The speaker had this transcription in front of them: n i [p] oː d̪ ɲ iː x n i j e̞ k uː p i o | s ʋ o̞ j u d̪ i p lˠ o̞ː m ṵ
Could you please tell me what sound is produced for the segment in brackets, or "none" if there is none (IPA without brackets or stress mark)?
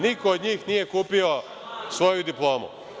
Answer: k